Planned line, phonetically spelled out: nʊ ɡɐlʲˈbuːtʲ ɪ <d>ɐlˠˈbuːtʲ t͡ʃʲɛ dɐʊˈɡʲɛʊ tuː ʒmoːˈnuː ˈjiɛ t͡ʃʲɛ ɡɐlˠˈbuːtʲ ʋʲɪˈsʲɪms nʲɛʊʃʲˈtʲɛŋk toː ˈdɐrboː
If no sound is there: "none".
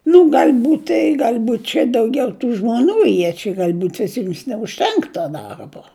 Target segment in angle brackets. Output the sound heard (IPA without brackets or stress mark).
ɡ